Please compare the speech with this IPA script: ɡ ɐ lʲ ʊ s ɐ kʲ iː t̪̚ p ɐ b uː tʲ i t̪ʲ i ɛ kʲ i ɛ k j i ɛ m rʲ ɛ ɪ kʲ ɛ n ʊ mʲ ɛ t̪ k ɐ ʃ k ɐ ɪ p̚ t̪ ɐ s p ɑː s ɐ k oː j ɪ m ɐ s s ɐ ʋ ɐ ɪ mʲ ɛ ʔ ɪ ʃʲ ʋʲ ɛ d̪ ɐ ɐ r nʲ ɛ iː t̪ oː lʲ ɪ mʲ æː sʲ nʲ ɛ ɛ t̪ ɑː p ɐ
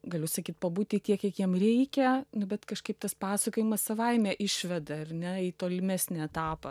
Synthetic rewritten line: ɡ ɐ lʲ ʊ s ɐ kʲ iː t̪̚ p ɐ b uː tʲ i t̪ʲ i ɛ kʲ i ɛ k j i ɛ m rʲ ɛ ɪ kʲ ɛ n ʊ bʲ ɛ t̪ k ɐ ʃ k ɐ ɪ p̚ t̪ ɐ s p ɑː s ɐ k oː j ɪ m ɐ s s ɐ ʋ ɐ ɪ mʲ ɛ ʔ ɪ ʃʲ ʋʲ ɛ d̪ ɐ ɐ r nʲ ɛ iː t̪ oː lʲ ɪ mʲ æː sʲ nʲ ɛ ɛ t̪ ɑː p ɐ